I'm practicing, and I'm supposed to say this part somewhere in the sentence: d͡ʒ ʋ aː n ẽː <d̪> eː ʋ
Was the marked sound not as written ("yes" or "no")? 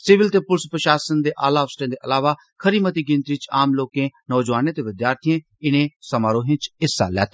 yes